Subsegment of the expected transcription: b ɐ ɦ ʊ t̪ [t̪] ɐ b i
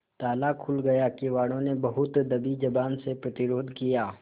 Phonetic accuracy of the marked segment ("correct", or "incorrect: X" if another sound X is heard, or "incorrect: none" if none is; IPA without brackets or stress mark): incorrect: d̪